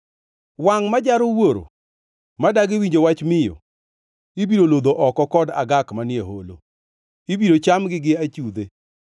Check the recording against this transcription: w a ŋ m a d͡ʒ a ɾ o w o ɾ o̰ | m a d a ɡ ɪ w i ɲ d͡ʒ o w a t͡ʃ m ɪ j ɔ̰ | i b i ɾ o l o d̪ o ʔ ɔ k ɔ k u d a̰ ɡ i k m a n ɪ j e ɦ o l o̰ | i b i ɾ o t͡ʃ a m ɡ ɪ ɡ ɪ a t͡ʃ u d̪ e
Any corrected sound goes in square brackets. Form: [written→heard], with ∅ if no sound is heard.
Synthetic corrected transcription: w a ŋ m a d͡ʒ a ɾ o w o ɾ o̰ | m a d a ɡ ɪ w i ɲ d͡ʒ o w a t͡ʃ m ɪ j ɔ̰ | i b i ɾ o l o d̪ o ʔ ɔ k ɔ k [u→ɔ] d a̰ ɡ [i→a] k m a n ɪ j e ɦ o l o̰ | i b i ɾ o t͡ʃ a m ɡ ɪ ɡ ɪ a t͡ʃ u d̪ e